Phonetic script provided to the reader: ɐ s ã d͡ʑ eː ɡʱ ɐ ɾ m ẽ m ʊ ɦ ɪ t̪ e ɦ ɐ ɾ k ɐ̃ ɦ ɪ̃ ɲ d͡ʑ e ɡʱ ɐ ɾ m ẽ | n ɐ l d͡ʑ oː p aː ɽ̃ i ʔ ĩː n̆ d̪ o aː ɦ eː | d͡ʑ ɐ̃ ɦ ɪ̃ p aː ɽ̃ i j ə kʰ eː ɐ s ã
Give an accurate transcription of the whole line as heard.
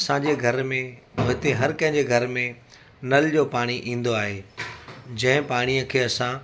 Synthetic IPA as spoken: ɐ s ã d͡ʑ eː ɡʱ ɐ ɾ m ẽ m ʊ ɦ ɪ t̪ e ɦ ɐ ɾ k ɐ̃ ɦ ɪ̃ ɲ d͡ʑ e ɡʱ ɐ ɾ m ẽ | n ɐ l d͡ʑ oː p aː ɽ̃ i ʔ ĩː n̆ d̪ o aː ɦ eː | d͡ʑ ɐ̃ ɦ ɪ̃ p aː ɽ̃ i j ə kʰ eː ɐ s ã

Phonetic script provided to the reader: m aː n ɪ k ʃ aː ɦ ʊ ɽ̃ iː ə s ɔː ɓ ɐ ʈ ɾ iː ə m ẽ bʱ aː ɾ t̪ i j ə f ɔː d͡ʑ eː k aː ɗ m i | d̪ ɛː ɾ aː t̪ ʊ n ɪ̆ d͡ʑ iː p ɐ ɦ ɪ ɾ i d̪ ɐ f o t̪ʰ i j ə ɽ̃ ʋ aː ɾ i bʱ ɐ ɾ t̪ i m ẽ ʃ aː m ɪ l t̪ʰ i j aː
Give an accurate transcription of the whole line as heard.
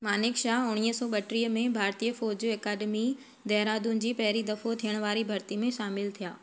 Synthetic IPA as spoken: m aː n ɪ k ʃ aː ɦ ʊ ɽ̃ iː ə s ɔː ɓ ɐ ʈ ɾ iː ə m ẽ bʱ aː ɾ t̪ i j ə f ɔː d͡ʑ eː k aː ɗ m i | d̪ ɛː ɾ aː d̪ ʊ n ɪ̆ d͡ʑ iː p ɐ ɦ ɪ ɾ i d̪ ɐ f o t̪ʰ i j ə ɽ̃ ʋ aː ɾ i bʱ ɐ ɾ t̪ i m ẽ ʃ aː m ɪ l t̪ʰ i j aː

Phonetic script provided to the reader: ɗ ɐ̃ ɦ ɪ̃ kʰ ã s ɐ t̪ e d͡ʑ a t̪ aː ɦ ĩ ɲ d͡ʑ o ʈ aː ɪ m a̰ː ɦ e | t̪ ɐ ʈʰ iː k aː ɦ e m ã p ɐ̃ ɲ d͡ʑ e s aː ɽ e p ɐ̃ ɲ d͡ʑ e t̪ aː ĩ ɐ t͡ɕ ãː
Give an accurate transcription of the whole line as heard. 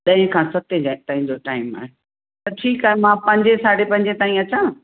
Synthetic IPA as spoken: ɗ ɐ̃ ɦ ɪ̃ kʰ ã s ɐ t̪ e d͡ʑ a t̪ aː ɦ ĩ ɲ d͡ʑ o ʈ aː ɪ m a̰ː ɦ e | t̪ ɐ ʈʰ iː k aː ɦ e m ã p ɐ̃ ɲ d͡ʑ e s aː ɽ e p ɐ̃ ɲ d͡ʑ e t̪ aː ĩ ɐ t͡ɕ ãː

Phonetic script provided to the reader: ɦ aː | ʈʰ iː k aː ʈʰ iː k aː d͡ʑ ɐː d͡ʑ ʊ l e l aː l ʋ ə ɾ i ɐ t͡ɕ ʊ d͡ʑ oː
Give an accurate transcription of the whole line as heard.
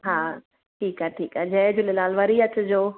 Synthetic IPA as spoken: ɦ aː | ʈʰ iː k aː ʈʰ iː k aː d͡ʑ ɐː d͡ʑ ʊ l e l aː l ʋ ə ɾ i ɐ t͡ɕ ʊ d͡ʑ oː

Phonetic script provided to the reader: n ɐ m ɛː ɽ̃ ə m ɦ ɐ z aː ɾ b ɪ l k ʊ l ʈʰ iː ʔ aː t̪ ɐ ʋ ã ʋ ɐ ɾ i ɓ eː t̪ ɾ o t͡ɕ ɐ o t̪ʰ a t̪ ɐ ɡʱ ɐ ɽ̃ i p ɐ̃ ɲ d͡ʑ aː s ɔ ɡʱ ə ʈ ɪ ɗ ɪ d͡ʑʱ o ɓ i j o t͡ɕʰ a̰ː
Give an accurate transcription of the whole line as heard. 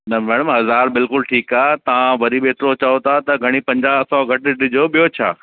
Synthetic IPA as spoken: n ɐ m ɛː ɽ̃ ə m ɦ ɐ z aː ɾ b ɪ l k ʊ l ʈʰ iː k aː t̪ ɐ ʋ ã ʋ ɐ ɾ i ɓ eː t̪ ɾ o t͡ɕ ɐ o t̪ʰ a t̪ ɐ ɡʱ ɐ ɽ̃ i p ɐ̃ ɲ d͡ʑ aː s ɔ ɡʱ ɐ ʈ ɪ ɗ ɪ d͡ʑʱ o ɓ i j o t͡ɕʰ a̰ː

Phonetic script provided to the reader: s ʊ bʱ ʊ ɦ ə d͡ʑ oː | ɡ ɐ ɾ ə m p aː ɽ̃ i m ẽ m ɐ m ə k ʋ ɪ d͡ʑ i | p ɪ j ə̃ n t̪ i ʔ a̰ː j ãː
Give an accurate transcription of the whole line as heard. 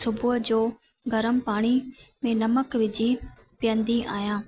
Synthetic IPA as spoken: s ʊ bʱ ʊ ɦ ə d͡ʑ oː | ɡ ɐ ɾ ə m p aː ɽ̃ i m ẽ n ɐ m ə k ʋ ɪ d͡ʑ i | p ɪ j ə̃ n d̪ i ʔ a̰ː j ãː

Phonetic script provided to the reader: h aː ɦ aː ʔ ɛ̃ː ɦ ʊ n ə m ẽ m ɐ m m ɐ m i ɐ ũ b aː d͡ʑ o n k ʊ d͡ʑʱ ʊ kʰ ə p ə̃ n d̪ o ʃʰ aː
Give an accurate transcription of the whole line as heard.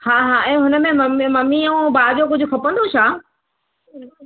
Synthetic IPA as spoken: h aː ɦ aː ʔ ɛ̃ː ɦ ʊ n ə m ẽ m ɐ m m ɐ m i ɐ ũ b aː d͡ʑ o k ʊ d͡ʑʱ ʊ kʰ ɐ p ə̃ n d̪ o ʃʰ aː

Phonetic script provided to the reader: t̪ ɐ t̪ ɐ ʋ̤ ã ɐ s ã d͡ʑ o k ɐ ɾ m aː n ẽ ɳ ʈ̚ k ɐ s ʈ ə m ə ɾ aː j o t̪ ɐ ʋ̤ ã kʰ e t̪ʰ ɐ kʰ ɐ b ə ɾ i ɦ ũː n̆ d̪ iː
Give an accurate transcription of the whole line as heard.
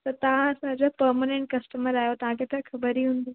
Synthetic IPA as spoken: t̪ ɐ t̪ ɐ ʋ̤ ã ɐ s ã d͡ʑ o p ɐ ɾ m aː n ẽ ɳ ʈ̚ k ɐ s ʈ ə m ə ɾ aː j o t̪ ɐ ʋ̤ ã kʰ e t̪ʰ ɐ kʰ ɐ b ə ɾ i ɦ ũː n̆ d̪ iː

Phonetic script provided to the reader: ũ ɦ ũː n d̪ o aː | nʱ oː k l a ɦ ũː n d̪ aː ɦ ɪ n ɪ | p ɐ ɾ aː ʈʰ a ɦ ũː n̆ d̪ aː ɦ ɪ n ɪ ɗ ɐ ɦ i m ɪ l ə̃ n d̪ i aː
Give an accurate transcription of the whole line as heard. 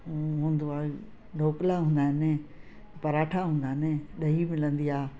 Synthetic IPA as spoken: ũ ɦ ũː n d̪ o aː | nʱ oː k l a ɦ ũː n d̪ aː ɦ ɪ n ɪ | p ɐ ɾ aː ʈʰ a ɦ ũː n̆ d̪ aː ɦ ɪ n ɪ ɗ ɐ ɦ i m ɪ l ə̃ n d̪ i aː

